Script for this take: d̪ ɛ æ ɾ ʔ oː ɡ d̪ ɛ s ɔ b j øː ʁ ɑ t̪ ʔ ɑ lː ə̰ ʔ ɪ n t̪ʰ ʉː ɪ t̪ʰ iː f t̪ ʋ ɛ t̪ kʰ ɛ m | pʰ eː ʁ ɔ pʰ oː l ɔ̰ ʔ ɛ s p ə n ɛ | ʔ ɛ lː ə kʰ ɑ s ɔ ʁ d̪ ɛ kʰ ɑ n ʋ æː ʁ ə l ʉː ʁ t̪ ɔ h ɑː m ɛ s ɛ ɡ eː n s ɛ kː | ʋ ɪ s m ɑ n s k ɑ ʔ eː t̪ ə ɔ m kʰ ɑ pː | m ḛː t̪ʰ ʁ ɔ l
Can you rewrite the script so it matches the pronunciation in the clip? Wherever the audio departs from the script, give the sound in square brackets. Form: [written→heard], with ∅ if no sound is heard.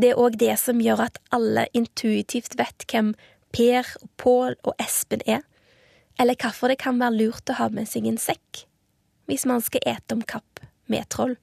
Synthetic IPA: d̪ ɛ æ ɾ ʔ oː ɡ d̪ ɛ s ɔ [b→m] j øː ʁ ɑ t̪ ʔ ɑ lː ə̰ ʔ ɪ n t̪ʰ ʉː ɪ t̪ʰ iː f t̪ ʋ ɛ t̪ kʰ ɛ m | pʰ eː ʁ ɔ pʰ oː l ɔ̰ ʔ ɛ s p ə n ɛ | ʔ ɛ lː ə kʰ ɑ [s→f] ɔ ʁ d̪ ɛ kʰ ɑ n ʋ æː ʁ ə l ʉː ʁ t̪ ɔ h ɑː m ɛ s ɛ ɡ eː n s ɛ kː | ʋ ɪ s m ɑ n s k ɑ ʔ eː t̪ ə ɔ m kʰ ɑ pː | m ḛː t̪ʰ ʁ ɔ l